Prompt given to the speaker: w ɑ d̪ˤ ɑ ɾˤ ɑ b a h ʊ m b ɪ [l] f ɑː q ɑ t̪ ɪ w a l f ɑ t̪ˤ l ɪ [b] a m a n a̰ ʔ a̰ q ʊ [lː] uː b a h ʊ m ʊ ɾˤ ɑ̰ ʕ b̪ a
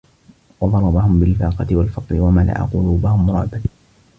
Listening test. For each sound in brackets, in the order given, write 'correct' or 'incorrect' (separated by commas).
correct, incorrect, incorrect